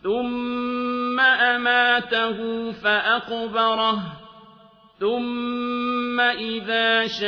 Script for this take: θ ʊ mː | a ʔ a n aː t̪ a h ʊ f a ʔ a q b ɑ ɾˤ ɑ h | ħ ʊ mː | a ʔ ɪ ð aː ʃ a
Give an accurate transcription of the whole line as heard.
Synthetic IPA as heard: θ ʊ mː | a ʔ a m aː t̪ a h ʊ f a ʔ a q b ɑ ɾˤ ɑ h | θ ʊ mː | a ʔ ɪ ð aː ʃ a